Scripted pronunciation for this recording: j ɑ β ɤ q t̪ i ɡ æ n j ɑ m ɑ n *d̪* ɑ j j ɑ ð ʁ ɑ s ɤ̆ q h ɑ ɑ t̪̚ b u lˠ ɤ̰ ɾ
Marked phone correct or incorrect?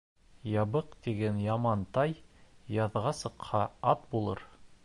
incorrect